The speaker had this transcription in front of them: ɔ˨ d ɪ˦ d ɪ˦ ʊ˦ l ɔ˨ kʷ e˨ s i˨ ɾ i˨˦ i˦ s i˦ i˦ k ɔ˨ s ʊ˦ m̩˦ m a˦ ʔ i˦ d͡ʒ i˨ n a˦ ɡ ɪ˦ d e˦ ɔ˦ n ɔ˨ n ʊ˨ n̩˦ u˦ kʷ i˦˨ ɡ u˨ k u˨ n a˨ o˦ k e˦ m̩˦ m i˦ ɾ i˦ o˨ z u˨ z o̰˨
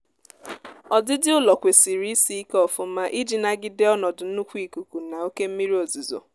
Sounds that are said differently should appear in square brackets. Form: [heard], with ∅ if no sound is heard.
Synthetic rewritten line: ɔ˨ d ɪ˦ d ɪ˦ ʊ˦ l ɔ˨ kʷ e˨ s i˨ ɾ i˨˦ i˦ s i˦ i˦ k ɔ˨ [f] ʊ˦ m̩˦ m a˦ ʔ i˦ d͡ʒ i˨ n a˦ ɡ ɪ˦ d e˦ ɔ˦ n ɔ˨ [d] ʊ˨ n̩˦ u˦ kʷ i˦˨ [k] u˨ k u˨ n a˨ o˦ k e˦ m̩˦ m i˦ ɾ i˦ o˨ z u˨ z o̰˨